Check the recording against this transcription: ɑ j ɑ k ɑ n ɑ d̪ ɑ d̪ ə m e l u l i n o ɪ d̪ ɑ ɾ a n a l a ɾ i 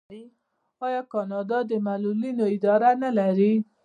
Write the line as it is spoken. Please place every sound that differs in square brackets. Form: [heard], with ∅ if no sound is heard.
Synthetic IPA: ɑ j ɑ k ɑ n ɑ d̪ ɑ d̪ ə m [a] l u l i n o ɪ d̪ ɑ ɾ a n a l a ɾ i